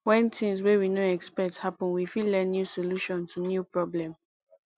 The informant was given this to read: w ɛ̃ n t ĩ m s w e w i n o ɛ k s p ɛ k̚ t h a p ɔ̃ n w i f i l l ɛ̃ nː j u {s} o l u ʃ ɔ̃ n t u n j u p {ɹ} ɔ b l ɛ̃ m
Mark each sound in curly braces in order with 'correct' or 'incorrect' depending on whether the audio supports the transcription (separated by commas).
correct, correct